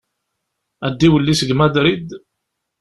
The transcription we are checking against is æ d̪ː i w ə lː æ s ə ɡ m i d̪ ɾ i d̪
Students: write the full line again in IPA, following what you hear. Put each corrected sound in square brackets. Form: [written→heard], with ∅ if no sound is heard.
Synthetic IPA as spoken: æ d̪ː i w ə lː [æ→i] s ə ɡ m [i→æ] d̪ ɾ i d̪